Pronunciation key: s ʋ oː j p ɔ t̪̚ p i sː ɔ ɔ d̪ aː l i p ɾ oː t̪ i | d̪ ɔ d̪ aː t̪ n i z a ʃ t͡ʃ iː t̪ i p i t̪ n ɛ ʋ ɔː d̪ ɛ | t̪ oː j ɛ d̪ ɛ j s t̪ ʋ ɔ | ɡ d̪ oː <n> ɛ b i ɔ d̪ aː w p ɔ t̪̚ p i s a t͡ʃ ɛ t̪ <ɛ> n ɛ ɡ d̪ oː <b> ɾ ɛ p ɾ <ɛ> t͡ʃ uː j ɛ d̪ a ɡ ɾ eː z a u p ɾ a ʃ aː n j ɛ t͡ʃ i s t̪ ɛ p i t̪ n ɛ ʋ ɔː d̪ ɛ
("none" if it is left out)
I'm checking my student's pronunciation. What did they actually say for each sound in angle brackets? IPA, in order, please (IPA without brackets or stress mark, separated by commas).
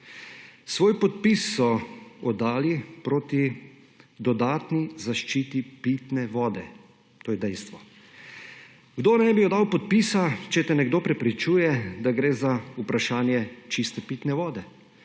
n, ɛ, p, i